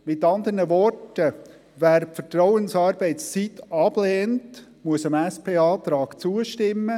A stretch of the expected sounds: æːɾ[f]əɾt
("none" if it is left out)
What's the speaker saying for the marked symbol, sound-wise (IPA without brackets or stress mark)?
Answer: f